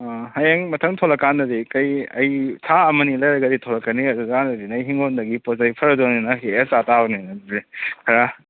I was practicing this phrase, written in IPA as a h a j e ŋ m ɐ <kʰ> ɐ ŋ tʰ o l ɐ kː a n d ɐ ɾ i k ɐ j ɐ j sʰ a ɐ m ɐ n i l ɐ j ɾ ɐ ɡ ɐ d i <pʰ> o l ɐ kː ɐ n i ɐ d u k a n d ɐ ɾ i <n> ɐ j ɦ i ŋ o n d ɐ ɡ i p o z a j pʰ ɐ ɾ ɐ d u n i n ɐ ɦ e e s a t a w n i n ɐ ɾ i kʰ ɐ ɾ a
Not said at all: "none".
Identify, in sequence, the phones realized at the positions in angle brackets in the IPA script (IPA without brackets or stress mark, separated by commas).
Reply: tʰ, tʰ, n